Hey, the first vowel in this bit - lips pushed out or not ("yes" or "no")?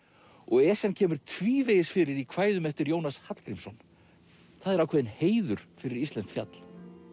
yes